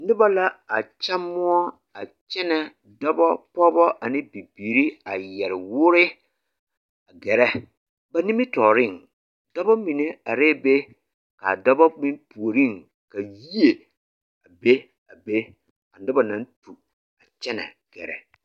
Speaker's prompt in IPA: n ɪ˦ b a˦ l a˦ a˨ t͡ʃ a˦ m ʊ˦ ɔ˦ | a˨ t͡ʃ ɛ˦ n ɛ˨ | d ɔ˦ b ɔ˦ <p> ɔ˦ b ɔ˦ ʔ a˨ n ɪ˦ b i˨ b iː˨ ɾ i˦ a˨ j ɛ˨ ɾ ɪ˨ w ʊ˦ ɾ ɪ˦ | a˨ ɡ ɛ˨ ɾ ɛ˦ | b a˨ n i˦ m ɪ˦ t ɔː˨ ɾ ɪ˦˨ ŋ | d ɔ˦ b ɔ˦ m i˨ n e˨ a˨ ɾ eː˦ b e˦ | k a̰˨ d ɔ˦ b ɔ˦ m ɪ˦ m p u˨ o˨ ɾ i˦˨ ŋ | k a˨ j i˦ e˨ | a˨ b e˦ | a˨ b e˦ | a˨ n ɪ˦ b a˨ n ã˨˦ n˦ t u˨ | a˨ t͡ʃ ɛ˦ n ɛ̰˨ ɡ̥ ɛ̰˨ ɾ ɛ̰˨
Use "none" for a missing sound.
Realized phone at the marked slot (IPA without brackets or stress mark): p